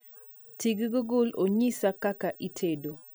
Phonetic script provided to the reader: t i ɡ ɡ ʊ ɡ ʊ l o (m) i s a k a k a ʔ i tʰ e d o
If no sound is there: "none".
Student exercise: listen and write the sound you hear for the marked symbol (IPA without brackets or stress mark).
ɲ